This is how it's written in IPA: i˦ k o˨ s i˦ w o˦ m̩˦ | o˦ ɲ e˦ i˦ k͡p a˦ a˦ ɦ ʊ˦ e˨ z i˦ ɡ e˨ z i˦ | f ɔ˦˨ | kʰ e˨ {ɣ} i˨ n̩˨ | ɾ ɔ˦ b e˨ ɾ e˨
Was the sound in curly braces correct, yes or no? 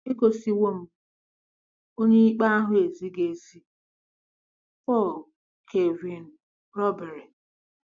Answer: no